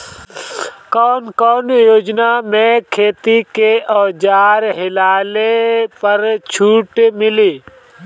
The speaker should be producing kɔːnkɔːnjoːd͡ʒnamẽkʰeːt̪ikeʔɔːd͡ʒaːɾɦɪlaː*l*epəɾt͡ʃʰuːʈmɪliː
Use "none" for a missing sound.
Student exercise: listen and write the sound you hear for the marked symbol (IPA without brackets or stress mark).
l